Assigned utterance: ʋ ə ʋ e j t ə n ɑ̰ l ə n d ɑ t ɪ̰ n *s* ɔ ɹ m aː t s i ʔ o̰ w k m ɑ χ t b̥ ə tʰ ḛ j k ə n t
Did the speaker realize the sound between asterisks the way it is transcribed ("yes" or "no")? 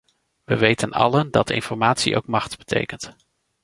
no